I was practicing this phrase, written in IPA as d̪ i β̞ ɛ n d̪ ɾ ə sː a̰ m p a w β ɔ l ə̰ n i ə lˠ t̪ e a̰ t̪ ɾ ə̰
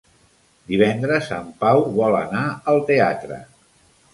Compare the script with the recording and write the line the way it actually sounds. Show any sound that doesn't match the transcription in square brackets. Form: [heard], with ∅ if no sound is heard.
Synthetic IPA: d̪ i β̞ ɛ n d̪ ɾ ə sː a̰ m p a w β ɔ l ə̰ n [a] ə lˠ t̪ e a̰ t̪ ɾ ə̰

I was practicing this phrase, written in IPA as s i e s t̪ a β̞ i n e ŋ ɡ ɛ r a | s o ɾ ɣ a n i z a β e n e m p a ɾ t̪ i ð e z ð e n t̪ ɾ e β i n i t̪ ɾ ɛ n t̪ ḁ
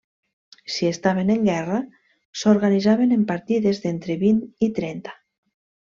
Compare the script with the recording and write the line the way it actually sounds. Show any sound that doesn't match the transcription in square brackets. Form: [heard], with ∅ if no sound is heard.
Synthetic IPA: s i e s t̪ a β̞ [e] n e ŋ ɡ ɛ r a | s o ɾ ɣ a n i z a β e n e m p a ɾ t̪ i ð e z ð e n t̪ ɾ e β i n i t̪ ɾ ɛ n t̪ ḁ

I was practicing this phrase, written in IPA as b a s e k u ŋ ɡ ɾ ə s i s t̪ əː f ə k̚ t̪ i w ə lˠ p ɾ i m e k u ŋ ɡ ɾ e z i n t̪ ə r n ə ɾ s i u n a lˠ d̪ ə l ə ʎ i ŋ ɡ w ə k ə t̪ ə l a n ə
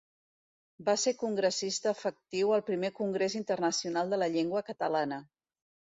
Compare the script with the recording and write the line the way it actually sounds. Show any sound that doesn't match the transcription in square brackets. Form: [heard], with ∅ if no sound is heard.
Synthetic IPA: b a s e k u ŋ ɡ ɾ ə s i s t̪ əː f ə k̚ t̪ i w ə lˠ p ɾ i m e k u ŋ ɡ ɾ e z i n t̪ ə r n ə [∅] s i u n a lˠ d̪ ə l ə ʎ [e] ŋ ɡ w ə k ə t̪ ə l a n ə

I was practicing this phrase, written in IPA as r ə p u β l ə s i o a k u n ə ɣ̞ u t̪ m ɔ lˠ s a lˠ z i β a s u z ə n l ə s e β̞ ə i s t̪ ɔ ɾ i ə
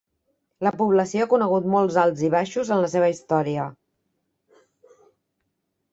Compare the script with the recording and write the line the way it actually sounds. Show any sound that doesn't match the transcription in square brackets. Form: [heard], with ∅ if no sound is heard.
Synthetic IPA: [l] ə p u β l ə s i o a k u n ə ɣ̞ u t̪ m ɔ lˠ [z] a lˠ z i β a [ʃ] u z ə n l ə s e β̞ ə i s t̪ ɔ ɾ i ə

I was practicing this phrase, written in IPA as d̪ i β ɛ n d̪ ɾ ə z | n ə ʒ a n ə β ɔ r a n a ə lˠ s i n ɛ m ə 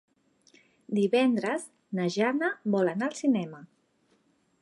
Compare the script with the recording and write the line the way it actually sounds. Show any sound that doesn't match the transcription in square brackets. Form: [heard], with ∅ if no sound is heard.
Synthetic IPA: d̪ i β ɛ n d̪ ɾ ə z | n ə ʒ a n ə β ɔ [l] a n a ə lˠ s i n ɛ m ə

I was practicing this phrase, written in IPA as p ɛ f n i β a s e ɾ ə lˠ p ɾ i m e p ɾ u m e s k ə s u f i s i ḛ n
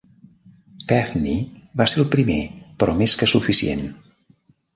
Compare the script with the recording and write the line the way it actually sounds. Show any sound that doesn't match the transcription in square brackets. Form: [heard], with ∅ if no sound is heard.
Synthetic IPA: p ɛ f n i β a s e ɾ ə lˠ p ɾ i m e p ɾ [ɔ] m e s k ə s u f i s i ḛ n

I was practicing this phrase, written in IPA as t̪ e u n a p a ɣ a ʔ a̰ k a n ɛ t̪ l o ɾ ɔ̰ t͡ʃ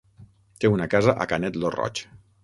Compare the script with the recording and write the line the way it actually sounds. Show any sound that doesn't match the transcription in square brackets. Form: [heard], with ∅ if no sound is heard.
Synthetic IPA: t̪ e u n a [k] a [z] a ʔ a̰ k a n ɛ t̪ l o [r] ɔ̰ t͡ʃ

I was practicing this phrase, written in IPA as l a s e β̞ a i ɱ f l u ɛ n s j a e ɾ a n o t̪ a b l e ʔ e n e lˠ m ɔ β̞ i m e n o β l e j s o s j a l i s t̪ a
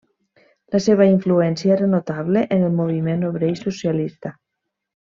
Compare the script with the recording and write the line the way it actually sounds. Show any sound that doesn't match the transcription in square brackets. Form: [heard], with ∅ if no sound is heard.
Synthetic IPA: l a s e β̞ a i ɱ f l u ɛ n s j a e ɾ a n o t̪ a [β] l e ʔ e n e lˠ m [o] β̞ i m e n o β [ɾ] e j s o s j a l i s t̪ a

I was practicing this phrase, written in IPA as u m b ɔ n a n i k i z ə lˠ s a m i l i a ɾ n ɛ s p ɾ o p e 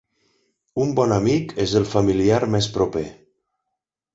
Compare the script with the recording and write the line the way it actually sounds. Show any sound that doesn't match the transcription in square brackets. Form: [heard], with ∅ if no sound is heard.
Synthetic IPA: u m b ɔ n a [m] i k [e] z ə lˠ [f] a m i l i a ɾ [m] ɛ s p ɾ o p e

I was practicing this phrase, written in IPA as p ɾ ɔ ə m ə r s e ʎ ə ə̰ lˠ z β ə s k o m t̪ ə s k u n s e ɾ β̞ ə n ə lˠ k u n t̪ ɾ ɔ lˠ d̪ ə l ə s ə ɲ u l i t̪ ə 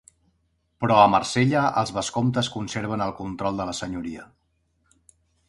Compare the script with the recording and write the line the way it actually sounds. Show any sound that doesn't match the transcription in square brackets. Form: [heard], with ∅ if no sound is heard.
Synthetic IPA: p ɾ ɔ ə m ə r s e ʎ ə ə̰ lˠ z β ə s k o m t̪ ə s k u n s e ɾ β̞ ə n ə lˠ k u n t̪ ɾ ɔ lˠ d̪ ə l ə s ə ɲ u [ɾ] i [∅] ə

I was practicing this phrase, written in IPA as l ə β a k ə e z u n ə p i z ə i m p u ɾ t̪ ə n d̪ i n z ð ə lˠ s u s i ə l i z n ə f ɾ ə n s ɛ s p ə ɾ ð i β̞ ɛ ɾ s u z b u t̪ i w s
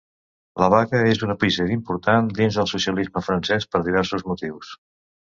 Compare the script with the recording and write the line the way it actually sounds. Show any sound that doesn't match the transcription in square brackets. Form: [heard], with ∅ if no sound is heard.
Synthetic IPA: l ə β a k ə e z u n ə p i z ə i m p u ɾ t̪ [a] n d̪ i n z ð ə lˠ s u s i ə l i z [m] ə f ɾ ə n s ɛ s p ə ɾ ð i β̞ ɛ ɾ s u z [m] u t̪ i w s

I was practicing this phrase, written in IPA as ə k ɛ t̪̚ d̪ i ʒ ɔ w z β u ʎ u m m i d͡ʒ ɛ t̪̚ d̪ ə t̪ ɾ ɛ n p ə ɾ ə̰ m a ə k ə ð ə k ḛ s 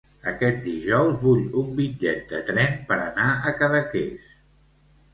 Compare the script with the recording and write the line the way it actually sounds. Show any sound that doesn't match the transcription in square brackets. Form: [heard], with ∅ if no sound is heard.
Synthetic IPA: ə k ɛ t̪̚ d̪ i ʒ ɔ w z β u ʎ u m [b] i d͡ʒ ɛ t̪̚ d̪ ə t̪ ɾ ɛ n p ə ɾ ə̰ [n] a ə k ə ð ə k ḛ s

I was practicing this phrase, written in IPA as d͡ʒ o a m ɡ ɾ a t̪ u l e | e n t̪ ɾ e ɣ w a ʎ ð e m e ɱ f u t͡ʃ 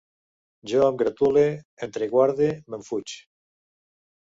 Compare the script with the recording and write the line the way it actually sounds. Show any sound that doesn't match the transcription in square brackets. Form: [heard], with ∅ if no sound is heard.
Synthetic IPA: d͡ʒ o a m ɡ ɾ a t̪ u l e | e n t̪ ɾ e ɣ w a [ɾ] ð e m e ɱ f u t͡ʃ

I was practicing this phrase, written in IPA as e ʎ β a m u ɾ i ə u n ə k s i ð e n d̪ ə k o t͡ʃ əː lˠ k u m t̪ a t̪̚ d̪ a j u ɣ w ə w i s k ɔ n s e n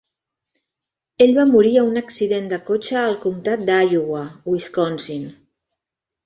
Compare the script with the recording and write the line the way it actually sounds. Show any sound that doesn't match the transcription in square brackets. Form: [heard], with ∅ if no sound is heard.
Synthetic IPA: e ʎ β a m u ɾ i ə u n ə k s i ð e n d̪ ə k o t͡ʃ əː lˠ k u m t̪ a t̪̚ d̪ a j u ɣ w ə w i s k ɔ n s [i] n

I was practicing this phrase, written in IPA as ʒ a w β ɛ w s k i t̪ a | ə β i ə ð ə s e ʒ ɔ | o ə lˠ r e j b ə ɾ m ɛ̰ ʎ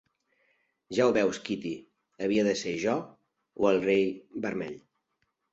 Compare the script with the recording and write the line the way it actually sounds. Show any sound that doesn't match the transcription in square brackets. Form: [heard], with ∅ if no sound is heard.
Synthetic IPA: ʒ a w β ɛ w s k i t̪ [i] | ə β i ə ð ə s e ʒ ɔ | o ə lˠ r e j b ə ɾ m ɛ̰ ʎ

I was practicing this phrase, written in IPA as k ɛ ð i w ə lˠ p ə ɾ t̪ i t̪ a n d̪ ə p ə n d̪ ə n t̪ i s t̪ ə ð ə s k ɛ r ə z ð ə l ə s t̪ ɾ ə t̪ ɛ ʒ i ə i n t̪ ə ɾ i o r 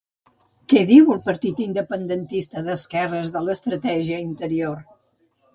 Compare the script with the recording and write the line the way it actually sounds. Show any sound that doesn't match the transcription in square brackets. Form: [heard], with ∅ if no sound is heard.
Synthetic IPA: k ɛ ð i w ə lˠ p ə ɾ t̪ i t̪ [i] n d̪ ə p ə n d̪ ə n t̪ i s t̪ ə ð ə s k ɛ r ə z ð ə l ə s t̪ ɾ ə t̪ ɛ ʒ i ə i n t̪ ə ɾ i o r

